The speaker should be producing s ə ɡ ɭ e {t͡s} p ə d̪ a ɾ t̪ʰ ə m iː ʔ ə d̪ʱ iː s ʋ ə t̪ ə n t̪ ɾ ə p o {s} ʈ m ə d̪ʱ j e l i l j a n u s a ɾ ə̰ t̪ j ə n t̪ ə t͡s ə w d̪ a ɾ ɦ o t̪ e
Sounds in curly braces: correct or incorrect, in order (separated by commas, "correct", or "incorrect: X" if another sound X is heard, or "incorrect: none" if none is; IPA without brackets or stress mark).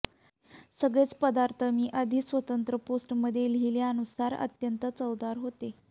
correct, correct